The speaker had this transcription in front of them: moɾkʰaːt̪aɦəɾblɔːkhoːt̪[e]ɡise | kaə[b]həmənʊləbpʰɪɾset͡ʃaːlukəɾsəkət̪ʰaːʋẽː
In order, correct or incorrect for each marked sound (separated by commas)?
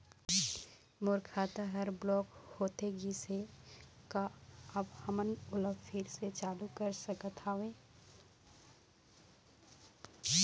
correct, correct